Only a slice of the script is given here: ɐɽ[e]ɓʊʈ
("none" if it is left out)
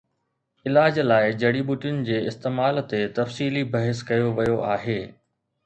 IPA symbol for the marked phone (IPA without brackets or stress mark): i